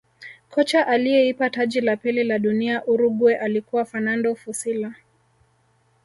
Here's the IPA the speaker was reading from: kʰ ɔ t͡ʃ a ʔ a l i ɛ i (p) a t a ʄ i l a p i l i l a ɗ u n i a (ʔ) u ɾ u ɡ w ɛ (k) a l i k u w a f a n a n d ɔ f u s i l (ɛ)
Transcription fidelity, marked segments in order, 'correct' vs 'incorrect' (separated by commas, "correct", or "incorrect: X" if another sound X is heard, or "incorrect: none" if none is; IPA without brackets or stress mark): correct, correct, incorrect: ʔ, incorrect: a